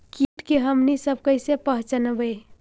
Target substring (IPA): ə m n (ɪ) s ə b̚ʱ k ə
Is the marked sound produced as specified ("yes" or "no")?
no